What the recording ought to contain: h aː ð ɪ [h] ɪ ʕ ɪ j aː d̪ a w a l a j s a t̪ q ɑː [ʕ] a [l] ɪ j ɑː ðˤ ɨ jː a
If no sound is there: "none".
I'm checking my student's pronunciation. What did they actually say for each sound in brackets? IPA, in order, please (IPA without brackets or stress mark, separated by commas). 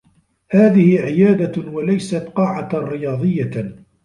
h, ʕ, ɾ